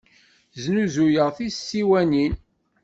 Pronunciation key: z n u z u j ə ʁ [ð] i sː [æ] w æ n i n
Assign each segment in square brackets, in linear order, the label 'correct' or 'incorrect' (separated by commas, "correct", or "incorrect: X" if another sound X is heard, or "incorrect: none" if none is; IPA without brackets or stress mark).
incorrect: θ, incorrect: i